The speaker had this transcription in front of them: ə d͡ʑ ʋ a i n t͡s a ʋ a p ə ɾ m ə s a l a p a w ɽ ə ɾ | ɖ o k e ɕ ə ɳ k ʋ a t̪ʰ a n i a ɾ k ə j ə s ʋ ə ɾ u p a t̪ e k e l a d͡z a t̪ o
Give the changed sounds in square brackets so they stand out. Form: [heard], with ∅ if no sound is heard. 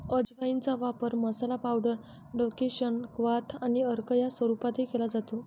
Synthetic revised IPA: ə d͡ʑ ʋ a i n t͡s a ʋ a p ə ɾ m ə s a l a p a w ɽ ə ɾ | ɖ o k e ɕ ə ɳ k ʋ a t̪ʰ a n i [ə] ɾ k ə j [a] s ʋ ə ɾ u p a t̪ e k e l a d͡z a t̪ o